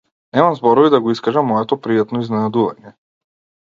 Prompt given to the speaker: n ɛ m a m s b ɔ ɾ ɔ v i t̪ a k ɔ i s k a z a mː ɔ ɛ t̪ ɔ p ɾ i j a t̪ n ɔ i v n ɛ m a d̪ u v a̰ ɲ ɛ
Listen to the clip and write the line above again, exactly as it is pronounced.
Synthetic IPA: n ɛ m a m z b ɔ ɾ ɔ v i d̪ a ɡ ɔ i s k a ʒ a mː ɔ ɛ t̪ ɔ p ɾ i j a t̪ n ɔ i z n ɛ n a d̪ u v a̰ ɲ ɛ